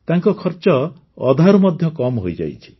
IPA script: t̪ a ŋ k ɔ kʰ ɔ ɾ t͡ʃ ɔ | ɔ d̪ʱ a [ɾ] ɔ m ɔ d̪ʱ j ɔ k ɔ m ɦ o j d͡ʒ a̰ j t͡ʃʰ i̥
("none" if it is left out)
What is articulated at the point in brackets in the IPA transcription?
ɾ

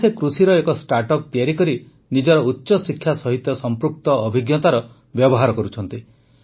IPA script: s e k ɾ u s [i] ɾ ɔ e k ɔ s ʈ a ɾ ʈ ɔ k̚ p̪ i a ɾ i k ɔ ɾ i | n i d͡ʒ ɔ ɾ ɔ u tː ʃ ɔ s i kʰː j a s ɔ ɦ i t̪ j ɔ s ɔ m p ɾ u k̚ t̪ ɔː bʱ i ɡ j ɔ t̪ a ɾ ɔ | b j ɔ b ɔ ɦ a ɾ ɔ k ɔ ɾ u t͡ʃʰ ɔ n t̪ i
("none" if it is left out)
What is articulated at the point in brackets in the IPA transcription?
i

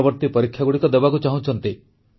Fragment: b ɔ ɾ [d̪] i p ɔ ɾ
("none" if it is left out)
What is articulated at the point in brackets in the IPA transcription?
t̪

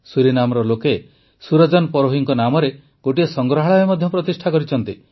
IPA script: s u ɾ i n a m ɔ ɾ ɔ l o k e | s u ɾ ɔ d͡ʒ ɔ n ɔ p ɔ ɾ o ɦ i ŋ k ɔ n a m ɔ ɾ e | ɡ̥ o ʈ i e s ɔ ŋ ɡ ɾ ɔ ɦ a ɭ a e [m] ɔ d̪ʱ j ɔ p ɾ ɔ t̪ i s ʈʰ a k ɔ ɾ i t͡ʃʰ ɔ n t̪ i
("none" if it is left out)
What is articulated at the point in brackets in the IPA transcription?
m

